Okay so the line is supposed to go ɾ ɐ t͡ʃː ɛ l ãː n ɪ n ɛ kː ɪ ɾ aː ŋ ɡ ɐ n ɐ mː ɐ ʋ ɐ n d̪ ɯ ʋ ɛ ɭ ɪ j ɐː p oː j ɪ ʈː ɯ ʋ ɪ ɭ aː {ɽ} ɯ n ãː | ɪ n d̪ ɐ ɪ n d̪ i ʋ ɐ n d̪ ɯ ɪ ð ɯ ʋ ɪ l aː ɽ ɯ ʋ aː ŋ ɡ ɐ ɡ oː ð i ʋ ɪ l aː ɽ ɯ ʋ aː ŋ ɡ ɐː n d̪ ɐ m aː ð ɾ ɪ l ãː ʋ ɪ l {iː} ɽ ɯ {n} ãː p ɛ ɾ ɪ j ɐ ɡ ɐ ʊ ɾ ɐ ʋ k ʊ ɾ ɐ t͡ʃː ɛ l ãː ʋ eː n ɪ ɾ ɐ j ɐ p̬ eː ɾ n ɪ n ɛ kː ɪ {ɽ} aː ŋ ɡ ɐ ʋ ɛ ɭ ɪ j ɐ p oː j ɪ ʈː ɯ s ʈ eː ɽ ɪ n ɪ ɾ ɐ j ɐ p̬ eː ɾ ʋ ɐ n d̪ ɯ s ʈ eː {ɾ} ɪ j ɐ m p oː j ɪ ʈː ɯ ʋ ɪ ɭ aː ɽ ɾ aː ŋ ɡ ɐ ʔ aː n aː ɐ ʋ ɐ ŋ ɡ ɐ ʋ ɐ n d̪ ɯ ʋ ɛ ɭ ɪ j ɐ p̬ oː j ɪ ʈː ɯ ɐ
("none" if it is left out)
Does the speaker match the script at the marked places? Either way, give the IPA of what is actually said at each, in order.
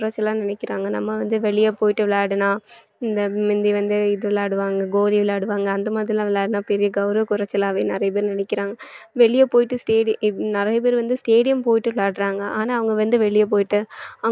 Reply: ɽ, aː, n, ɾ, ɽ

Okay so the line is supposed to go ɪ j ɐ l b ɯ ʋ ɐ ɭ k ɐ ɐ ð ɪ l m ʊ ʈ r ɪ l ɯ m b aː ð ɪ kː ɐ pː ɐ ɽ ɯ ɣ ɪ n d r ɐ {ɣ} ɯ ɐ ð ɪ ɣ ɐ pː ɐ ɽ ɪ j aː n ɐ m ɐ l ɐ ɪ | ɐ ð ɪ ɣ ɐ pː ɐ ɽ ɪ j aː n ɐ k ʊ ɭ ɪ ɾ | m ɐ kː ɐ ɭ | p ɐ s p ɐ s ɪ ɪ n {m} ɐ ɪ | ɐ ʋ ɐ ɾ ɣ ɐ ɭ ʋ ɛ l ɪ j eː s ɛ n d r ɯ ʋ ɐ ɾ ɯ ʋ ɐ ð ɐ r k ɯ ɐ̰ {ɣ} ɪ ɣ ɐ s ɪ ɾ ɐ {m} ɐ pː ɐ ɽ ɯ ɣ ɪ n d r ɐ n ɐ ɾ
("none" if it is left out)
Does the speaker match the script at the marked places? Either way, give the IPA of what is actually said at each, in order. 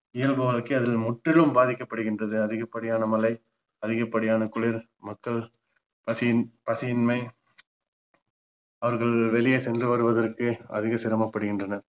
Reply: ð, m, ð, m

